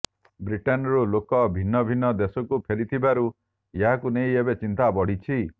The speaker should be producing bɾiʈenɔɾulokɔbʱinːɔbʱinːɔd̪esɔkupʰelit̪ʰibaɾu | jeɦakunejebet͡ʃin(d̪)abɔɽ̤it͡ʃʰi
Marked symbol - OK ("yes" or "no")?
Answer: no